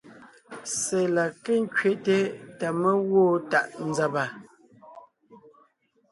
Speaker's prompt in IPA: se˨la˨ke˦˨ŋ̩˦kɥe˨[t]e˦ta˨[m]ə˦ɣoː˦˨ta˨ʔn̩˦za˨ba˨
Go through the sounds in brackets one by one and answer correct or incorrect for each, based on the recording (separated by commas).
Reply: correct, correct